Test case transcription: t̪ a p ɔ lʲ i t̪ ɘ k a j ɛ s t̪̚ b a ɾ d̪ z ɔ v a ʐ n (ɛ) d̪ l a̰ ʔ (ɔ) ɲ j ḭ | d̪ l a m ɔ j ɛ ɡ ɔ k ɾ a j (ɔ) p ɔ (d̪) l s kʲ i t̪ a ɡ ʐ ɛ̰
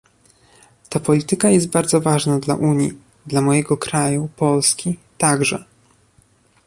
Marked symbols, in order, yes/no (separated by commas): no, no, no, no